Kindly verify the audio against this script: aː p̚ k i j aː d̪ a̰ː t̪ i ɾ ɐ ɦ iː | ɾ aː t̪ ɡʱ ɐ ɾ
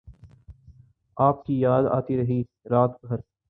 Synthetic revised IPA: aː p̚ k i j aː d̪ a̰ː t̪ i ɾ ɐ ɦ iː | ɾ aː t̪ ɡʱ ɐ ɾ